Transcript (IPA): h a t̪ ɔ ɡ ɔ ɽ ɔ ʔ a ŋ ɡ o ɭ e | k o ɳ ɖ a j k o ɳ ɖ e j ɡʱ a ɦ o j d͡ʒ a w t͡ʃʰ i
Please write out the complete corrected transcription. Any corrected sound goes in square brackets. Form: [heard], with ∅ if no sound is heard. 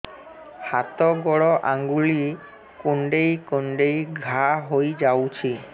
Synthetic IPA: h a t̪ ɔ ɡ ɔ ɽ ɔ ʔ a ŋ ɡ [u] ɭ [i] | k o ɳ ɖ [e] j k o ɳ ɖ e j ɡʱ a ɦ o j d͡ʒ a w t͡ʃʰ i